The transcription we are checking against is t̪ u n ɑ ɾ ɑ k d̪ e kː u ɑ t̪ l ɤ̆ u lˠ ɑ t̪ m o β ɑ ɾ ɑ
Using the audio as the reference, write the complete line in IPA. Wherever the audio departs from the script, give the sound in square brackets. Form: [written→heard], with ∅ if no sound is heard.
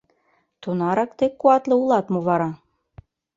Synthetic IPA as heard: t̪ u n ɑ ɾ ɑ k [d̪→t̪] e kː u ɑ t̪ l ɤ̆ u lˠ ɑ t̪ m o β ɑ ɾ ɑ

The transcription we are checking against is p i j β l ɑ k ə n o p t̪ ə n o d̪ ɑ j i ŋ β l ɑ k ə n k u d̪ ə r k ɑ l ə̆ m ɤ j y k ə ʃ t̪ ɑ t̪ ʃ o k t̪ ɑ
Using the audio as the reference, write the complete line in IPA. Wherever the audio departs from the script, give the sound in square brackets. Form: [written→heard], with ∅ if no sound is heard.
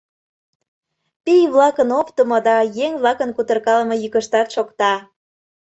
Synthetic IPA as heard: p i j β l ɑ k ə n o p t̪ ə [n→m] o d̪ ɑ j [i→e] ŋ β l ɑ k ə n k u [d̪→t̪] ə r k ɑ l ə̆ m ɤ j y k ə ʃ t̪ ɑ t̪ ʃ o k t̪ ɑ

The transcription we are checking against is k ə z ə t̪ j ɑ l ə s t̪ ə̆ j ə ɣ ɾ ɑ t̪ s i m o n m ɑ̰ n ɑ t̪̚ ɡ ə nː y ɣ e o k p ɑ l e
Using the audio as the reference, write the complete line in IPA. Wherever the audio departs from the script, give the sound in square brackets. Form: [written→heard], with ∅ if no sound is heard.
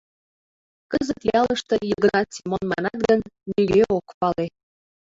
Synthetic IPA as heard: k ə z ə t̪ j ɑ l ə [s→ʃ] t̪ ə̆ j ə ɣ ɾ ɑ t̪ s i m o n m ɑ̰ n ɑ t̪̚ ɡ ə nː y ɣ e o k p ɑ l e

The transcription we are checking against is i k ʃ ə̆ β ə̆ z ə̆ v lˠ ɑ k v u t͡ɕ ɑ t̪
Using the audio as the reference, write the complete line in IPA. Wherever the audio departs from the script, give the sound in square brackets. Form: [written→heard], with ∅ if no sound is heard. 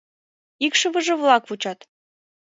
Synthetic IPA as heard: i k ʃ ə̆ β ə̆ [z→ʒ] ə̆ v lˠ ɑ k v u t͡ɕ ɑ t̪

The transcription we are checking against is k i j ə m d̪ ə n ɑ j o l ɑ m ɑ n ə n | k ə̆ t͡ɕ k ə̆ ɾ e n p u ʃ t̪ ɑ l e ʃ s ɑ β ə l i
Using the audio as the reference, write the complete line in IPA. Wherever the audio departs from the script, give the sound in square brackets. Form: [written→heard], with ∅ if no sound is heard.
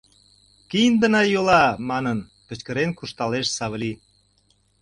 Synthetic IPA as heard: k i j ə [m→n] d̪ ə n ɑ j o l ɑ m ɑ n ə n | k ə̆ t͡ɕ k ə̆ ɾ e n [p→k] u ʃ t̪ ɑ l e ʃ s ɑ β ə l i

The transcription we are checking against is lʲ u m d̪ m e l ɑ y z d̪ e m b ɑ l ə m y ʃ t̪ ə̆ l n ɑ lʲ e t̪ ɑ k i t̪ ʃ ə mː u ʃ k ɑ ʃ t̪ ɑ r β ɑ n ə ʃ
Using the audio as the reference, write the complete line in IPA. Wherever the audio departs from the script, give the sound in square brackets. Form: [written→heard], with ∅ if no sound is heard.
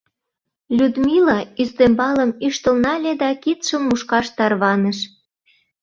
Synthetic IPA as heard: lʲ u [m→∅] d̪ m [e→i] l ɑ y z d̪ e m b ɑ l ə m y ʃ t̪ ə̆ l n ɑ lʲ e [t̪→d̪] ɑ k i t̪ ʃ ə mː u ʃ k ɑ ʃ t̪ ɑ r β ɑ n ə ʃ

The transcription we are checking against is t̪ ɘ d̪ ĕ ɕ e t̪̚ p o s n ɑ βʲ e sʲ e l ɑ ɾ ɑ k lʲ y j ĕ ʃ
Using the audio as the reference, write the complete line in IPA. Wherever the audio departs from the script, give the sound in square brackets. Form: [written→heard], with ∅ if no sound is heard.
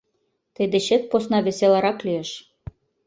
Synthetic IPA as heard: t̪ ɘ d̪ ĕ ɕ e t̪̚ p o s n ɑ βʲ e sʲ e l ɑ ɾ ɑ k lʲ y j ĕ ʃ

